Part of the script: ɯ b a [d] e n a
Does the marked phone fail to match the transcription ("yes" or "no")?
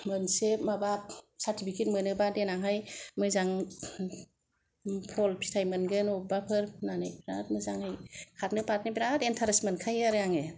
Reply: no